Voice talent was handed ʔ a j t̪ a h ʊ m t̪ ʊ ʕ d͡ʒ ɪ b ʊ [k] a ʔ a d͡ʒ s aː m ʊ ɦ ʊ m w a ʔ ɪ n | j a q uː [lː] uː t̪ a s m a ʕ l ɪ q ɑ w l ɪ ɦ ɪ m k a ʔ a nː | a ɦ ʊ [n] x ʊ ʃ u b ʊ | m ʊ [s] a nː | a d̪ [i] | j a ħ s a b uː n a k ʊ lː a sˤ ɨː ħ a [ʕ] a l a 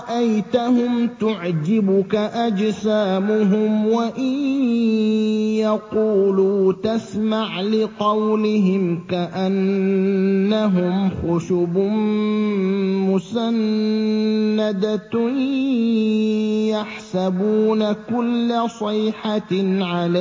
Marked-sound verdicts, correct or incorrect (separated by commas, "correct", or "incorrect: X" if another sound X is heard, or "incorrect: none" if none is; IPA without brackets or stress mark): correct, incorrect: l, incorrect: m, correct, incorrect: a, correct